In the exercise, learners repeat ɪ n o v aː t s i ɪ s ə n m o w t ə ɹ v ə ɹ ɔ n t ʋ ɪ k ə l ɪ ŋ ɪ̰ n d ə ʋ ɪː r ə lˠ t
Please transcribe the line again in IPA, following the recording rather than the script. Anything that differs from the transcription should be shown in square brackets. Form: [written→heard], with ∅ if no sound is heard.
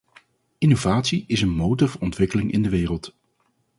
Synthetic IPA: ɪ n o v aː t s i ɪ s ə n m o w t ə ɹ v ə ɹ ɔ n t ʋ ɪ k ə l ɪ ŋ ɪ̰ n d ə ʋ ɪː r ə lˠ t